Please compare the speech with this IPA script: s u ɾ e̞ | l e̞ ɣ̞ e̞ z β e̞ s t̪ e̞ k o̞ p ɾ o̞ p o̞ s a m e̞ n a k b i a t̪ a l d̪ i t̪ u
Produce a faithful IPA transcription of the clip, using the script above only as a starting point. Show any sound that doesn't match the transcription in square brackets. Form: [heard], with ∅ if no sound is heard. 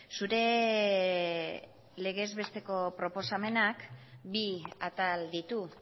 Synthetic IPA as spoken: s u ɾ e̞ | l e̞ ɣ̞ e̞ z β e̞ s t̪ e̞ k o̞ p ɾ o̞ p o̞ s a m e̞ n a k b i a t̪ a l d̪ i t̪ u